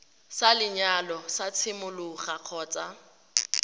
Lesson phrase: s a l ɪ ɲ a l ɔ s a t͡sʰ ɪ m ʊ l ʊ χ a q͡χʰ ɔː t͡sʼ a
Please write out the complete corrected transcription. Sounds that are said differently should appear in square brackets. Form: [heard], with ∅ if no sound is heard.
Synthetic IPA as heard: s a l ɪ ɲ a l ɔ s a t͡sʰ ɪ m ʊ l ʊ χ a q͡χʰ ɔː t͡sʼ a